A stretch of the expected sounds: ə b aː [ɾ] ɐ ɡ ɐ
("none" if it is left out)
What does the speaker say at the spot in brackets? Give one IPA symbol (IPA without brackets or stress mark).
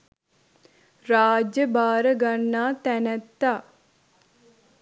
ɾ